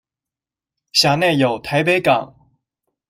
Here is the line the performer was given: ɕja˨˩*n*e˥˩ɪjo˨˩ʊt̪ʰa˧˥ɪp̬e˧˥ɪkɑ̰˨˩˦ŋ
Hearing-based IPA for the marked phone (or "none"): n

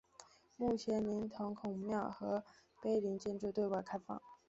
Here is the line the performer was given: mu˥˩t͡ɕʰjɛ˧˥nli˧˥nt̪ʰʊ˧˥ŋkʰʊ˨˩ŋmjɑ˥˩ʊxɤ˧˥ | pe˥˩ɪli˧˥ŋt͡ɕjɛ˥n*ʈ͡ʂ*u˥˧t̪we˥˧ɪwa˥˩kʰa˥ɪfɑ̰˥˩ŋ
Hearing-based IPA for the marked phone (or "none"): ʈ͡ʂ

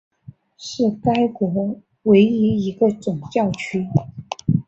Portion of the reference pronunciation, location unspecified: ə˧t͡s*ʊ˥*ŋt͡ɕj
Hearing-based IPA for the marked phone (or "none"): ʊ˨˩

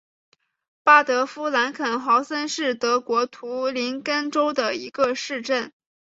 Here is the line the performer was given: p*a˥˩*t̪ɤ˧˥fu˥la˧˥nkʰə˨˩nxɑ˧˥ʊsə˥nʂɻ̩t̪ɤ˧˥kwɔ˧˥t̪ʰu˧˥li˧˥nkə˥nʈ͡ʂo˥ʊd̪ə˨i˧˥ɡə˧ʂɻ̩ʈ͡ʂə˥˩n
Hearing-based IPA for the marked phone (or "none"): a˥˩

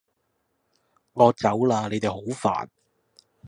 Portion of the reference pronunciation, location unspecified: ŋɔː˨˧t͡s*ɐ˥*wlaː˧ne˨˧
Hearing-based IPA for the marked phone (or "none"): ɐ˨˥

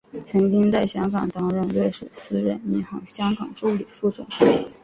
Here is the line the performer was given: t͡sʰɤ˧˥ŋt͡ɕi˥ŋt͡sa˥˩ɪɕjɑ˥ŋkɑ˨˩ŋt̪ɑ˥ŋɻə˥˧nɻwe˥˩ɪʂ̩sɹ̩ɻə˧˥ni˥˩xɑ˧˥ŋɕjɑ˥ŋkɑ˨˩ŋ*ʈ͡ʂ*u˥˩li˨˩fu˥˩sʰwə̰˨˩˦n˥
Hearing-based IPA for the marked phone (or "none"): ʈ͡ʂ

